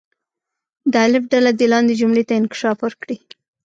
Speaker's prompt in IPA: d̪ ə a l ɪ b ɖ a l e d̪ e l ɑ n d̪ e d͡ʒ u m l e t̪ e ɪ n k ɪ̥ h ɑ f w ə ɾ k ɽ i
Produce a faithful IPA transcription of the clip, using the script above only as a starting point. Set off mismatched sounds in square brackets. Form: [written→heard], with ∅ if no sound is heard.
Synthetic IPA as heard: d̪ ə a l ɪ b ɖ a l [e→a] d̪ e l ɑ n d̪ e d͡ʒ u m l e t̪ [e→a] ɪ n k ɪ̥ [h→ʃ] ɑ f w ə ɾ k ɽ i

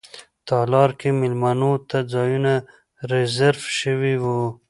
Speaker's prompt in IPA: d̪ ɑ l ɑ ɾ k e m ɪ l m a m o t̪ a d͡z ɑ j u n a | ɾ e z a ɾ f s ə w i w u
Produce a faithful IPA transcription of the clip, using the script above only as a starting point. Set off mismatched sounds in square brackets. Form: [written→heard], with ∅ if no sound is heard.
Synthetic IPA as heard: [d̪→t̪] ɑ l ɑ ɾ k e m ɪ l m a [m→n] o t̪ a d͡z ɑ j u n a | ɾ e z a ɾ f [s→ʃ] ə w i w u

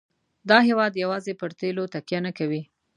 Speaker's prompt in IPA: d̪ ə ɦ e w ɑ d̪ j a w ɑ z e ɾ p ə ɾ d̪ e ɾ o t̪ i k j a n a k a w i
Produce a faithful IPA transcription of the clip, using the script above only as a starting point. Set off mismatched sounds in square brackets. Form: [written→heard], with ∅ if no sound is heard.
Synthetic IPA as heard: d̪ [ə→ɑ] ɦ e w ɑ d̪ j a w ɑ z e [ɾ→∅] p ə ɾ [d̪→t̪] e [ɾ→l] o t̪ [i→a] k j a n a k a w i

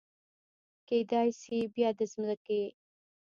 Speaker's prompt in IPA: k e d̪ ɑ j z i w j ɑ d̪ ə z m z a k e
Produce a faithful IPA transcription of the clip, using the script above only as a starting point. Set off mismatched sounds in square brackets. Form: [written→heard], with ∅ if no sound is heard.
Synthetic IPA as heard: k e d̪ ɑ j [z→s] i [w→b] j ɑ d̪ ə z m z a k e

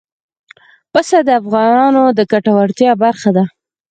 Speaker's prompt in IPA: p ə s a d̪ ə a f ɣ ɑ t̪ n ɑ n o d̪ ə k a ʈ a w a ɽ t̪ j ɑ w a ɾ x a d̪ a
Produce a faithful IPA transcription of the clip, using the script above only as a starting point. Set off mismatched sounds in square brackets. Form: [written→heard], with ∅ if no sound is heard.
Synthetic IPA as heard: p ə s a d̪ ə a f ɣ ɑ [t̪→∅] n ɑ n o d̪ ə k a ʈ a w a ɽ t̪ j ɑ [w→b] a ɾ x a d̪ a

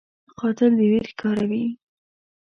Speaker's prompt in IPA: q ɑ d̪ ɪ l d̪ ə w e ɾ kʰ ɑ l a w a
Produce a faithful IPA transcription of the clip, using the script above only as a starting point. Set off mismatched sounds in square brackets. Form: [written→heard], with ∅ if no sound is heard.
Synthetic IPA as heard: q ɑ [d̪→t̪] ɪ l d̪ ə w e ɾ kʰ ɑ [l→ɾ] a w [a→i]

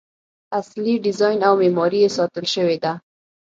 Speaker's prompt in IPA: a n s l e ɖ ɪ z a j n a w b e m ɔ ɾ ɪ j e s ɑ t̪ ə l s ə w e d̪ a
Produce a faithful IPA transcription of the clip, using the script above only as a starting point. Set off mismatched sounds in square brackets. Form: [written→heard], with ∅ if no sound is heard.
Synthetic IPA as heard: a [n→∅] s l [e→i] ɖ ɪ z [a→ɑ] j n a w [b→m] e m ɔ ɾ [ɪ→i] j e s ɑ t̪ ə l [s→ʃ] ə w e d̪ a

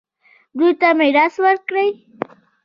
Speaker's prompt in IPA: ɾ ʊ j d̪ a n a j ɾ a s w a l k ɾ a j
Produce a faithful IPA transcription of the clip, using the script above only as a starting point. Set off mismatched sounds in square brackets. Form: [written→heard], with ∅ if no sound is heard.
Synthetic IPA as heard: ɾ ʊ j [d̪→t̪] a [n→m] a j ɾ a s w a [l→ɾ] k ɾ a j

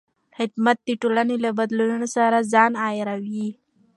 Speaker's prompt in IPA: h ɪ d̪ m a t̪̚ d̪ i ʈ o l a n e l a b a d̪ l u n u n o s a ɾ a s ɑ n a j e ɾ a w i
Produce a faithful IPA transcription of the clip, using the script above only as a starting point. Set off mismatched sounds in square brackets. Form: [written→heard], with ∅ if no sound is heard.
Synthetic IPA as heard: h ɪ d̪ m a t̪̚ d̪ i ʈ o l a n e l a b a d̪ l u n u n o s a ɾ a [s→z] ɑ n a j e ɾ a w i

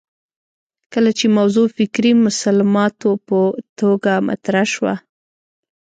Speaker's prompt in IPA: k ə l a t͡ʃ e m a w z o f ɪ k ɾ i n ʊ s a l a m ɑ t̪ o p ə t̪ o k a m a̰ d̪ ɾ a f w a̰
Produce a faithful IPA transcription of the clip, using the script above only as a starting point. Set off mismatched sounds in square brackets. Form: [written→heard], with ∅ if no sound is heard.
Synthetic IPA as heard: k ə l a t͡ʃ e m a w z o f ɪ k ɾ i [n→m] ʊ s a l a m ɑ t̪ o p ə t̪ o [k→ɡ] a m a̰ [d̪→t̪] ɾ a [f→ʃ] w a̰

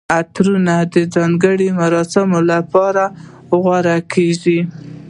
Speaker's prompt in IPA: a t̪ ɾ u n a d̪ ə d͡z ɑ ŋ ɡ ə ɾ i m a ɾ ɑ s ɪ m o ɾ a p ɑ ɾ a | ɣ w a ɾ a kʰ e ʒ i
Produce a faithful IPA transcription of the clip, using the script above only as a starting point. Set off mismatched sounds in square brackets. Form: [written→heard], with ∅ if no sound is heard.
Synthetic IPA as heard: a t̪ ɾ u n a d̪ ə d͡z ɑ ŋ ɡ ə [ɾ→ɽ] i m a ɾ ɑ s ɪ m o [ɾ→l] a p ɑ ɾ a | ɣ w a ɾ a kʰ e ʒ i

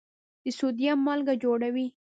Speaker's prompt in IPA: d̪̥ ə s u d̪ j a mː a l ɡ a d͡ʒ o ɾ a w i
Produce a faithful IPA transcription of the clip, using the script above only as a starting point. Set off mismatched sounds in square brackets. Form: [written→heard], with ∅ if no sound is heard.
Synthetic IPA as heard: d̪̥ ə s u d̪ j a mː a l ɡ a d͡ʒ o [ɾ→ɽ] a w i

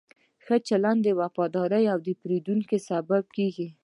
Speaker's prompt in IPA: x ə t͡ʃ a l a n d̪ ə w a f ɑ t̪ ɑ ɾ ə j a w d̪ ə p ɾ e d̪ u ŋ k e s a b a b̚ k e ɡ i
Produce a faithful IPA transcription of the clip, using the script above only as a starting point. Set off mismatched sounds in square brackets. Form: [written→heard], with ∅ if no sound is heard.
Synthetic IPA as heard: x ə t͡ʃ a l a n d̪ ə w a f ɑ [t̪→d̪] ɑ ɾ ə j a w d̪ ə p ɾ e d̪ u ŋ k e s a b a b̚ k e ɡ i

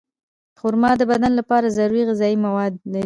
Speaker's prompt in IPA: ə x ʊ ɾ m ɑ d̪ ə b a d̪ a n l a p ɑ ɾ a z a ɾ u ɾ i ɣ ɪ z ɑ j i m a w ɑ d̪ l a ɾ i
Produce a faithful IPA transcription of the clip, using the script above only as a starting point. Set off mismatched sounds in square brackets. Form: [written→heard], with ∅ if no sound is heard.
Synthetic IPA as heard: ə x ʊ ɾ m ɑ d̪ ə b a d̪ a n l a p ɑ ɾ a z a ɾ u ɾ i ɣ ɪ z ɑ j i m a w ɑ d̪ l a ɾ i

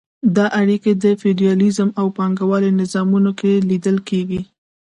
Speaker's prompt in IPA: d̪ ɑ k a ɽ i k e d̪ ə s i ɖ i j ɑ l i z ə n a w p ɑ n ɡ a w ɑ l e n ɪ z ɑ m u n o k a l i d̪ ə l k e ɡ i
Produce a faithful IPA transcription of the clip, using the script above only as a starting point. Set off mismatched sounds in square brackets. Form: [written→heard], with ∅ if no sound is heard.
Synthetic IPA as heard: d̪ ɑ [k→ʔ] a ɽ i k e d̪ ə [s→f] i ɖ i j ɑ l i z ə [n→m] a w p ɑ [n→ŋ] ɡ a w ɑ l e n ɪ z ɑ m u n o k [a→e] l i d̪ ə l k e ɡ i

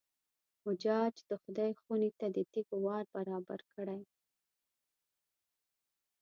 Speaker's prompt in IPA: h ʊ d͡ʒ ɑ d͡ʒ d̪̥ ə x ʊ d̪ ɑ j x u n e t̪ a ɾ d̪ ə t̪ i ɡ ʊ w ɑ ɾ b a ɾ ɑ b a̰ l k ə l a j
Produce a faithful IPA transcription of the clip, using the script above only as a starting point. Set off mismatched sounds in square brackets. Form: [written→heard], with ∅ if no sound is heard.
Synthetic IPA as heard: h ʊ d͡ʒ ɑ d͡ʒ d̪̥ ə x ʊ d̪ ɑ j x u n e t̪ a [ɾ→∅] d̪ ə t̪ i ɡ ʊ w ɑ ɾ b a ɾ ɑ b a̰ [l→ɾ] k ə [l→ɽ] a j

